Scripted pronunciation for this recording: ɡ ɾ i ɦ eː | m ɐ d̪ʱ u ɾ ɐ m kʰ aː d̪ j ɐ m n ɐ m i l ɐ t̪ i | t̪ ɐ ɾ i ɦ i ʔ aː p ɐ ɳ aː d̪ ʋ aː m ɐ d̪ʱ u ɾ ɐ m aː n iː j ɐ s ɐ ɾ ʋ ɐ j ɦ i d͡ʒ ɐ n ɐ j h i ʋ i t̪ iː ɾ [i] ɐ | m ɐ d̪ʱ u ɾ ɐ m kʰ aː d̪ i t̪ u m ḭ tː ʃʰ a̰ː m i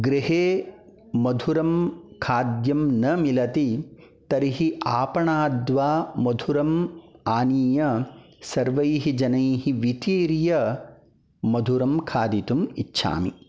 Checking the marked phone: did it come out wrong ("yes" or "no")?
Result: yes